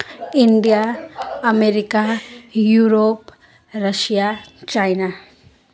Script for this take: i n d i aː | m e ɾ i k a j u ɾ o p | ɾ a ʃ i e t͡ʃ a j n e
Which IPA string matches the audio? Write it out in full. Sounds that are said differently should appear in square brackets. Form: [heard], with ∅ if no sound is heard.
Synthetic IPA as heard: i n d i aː | m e ɾ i k a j u ɾ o p | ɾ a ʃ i [a] t͡ʃ a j n [a]